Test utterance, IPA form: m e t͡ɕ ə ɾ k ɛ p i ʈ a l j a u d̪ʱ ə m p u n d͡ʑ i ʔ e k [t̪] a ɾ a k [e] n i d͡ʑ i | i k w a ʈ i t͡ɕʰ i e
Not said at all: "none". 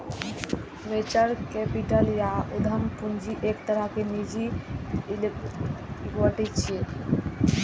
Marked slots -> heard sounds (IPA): t̪, e

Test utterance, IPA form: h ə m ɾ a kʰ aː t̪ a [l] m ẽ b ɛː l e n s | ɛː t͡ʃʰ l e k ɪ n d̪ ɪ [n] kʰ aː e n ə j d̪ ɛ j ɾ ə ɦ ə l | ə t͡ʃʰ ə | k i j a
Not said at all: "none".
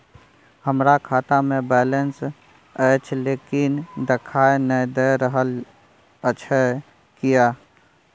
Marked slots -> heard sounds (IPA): none, none

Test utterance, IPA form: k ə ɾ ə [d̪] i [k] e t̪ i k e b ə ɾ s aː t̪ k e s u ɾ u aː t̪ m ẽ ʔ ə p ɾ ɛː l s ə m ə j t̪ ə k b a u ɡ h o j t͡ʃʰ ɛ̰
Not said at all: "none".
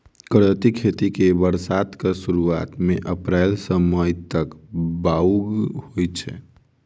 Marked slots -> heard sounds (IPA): t̪, kʰ

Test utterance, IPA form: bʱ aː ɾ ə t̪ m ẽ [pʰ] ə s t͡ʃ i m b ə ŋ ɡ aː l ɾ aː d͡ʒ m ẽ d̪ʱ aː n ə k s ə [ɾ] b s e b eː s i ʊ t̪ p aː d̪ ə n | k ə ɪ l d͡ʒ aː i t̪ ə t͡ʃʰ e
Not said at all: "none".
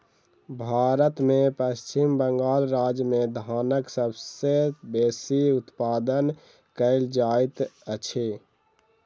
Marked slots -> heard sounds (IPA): p, none

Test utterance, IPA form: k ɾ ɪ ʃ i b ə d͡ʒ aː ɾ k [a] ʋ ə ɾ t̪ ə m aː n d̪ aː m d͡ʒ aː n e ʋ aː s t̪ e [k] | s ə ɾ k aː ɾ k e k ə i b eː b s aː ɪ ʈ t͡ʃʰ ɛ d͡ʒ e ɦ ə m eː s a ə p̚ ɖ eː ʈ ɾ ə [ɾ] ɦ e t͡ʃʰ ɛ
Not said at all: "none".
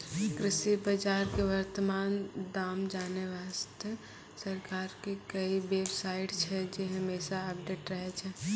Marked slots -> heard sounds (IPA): e, none, none

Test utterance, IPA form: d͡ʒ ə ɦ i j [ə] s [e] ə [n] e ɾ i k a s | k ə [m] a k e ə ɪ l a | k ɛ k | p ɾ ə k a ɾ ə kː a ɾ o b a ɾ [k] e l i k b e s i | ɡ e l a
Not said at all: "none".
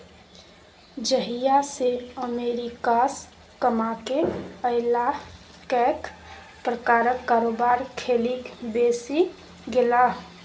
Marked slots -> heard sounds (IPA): a, e, m, m, kʰ

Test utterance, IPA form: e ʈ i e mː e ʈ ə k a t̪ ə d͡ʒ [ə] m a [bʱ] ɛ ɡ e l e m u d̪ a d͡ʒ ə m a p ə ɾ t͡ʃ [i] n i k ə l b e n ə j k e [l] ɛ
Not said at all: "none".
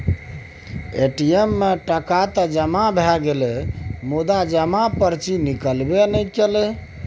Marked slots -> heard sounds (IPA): ə, bʱ, i, l

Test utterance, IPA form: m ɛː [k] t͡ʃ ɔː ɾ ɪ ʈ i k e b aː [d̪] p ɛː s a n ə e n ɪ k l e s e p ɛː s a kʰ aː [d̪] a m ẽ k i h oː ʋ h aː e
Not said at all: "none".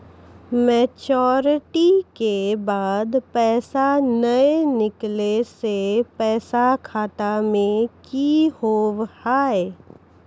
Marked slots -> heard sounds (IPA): none, d̪, t̪

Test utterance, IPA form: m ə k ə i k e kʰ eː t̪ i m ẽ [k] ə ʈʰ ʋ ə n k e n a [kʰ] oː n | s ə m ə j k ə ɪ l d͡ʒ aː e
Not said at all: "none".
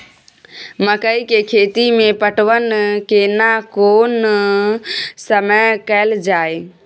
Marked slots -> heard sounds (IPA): p, k

